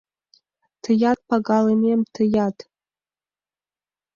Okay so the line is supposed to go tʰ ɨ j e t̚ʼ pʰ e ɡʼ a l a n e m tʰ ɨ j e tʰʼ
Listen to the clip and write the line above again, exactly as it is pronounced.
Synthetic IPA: tʰ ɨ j a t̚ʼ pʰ a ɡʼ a l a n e m tʰ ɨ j a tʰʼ